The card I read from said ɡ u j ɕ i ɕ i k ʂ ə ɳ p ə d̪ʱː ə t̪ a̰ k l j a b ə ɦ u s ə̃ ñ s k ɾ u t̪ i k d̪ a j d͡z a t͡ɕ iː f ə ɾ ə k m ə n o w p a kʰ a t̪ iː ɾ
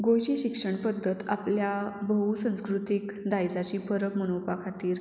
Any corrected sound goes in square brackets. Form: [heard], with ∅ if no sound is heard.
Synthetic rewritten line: ɡ [o] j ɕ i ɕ i k ʂ ə ɳ p ə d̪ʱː ə t̪ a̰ [p] l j a b ə ɦ u s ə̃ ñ s k ɾ u t̪ i k d̪ a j d͡z a t͡ɕ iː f ə ɾ ə k m ə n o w p a kʰ a t̪ iː ɾ

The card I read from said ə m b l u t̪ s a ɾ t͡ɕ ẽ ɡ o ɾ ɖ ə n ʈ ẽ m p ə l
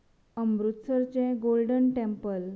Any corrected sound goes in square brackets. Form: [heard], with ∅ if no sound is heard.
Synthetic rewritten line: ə m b [ɾ] u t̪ s [ə] ɾ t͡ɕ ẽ ɡ o [l] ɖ ə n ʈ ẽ m p ə l

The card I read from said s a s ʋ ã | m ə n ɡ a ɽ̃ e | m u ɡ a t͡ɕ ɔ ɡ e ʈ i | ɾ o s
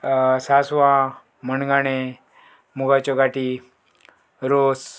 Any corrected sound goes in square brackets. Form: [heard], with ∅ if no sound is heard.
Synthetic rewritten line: s a s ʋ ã | m ə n ɡ a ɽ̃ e | m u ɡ a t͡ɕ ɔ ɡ [a] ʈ i | ɾ o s

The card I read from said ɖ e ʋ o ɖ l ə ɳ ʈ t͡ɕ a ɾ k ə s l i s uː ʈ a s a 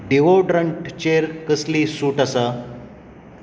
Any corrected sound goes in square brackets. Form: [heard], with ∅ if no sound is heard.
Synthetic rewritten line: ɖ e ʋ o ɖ [ɾ] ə ɳ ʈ t͡ɕ [e] ɾ k ə s l i s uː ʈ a s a

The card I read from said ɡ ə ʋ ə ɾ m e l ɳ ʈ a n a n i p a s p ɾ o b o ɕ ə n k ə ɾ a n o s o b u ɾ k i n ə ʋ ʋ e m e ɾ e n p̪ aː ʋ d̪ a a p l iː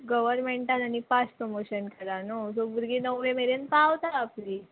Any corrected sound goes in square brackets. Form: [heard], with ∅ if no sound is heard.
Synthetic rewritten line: ɡ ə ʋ ə ɾ m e [∅] ɳ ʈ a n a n i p a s p ɾ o [m] o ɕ ə n k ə ɾ a n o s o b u ɾ [ɡ] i n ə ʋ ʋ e m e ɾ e n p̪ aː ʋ [t̪] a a p l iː

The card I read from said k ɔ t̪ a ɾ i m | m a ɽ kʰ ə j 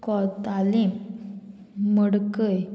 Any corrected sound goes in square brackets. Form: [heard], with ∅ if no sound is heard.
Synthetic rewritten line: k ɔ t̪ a [l] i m | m [ə] ɽ [k] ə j

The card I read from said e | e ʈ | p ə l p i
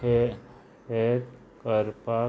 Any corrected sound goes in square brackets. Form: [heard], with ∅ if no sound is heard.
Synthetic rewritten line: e | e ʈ | [k] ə [ɾ] p [a]

